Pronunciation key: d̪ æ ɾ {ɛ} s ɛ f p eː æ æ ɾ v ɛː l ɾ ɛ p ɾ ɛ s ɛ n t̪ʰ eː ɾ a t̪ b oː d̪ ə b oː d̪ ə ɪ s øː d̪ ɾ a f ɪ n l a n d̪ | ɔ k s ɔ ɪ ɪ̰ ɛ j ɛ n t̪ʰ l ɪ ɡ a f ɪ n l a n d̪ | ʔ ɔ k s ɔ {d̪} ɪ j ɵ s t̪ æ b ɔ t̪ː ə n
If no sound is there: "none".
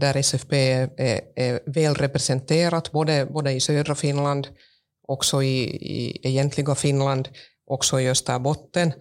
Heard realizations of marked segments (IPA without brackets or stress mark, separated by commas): ɛ, none